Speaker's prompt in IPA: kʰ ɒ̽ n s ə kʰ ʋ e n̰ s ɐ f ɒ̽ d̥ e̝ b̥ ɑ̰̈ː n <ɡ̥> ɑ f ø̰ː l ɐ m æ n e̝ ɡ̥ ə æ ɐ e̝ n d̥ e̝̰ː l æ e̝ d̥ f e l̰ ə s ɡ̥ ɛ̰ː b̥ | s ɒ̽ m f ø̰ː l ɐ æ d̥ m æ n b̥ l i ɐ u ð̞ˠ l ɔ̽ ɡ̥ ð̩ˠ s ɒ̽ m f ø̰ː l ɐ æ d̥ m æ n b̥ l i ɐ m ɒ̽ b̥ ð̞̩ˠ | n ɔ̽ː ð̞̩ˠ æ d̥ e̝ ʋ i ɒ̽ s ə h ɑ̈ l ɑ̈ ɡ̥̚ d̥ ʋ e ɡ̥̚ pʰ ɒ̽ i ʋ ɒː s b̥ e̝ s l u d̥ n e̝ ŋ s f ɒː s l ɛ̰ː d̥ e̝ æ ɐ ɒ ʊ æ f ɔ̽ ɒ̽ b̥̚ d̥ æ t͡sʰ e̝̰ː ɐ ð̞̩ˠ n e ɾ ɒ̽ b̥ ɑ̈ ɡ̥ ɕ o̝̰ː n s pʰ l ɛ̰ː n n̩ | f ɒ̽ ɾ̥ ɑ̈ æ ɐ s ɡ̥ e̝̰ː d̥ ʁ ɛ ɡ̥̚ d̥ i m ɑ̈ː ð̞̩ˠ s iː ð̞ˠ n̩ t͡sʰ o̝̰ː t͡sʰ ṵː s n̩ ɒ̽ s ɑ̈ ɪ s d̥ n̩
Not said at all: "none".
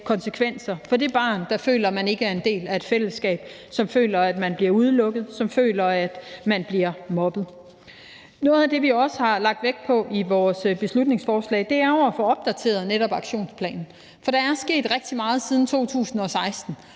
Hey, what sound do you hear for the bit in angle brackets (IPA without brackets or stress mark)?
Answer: d̥